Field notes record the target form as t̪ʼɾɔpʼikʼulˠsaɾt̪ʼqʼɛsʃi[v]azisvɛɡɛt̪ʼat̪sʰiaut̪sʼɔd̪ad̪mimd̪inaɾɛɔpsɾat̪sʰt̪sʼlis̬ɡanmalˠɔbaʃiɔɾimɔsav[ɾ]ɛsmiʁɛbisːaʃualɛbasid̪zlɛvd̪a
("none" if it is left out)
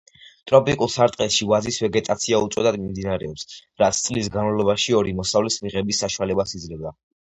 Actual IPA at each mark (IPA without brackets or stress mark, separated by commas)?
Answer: v, l